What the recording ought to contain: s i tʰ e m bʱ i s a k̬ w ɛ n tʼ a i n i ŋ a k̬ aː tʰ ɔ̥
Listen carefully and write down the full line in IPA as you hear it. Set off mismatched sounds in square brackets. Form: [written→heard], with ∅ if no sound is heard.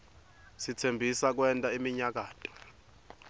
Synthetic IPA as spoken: s i tʰ e m bʱ i s a k̬ w ɛ n tʼ a i [n→m] i [ŋ→ɲ] a k̬ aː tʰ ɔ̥